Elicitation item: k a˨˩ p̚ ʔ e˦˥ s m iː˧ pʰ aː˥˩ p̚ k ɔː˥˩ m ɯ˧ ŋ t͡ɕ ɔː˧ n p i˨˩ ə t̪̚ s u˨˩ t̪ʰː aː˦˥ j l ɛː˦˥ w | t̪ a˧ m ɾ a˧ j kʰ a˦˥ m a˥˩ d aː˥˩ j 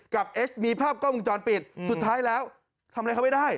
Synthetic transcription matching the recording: k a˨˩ p̚ ʔ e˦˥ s m iː˧ pʰ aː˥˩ p̚ k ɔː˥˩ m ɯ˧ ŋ t͡ɕ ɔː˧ n p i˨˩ ə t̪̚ s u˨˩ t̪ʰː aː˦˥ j l ɛː˦˥ w | t̪ʰ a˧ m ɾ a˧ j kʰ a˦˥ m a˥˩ d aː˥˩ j